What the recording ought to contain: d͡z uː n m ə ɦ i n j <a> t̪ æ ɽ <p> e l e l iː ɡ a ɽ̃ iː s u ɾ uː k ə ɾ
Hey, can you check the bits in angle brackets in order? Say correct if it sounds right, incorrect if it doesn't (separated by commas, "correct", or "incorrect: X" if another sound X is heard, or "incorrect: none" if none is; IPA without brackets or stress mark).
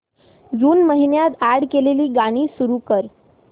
correct, incorrect: k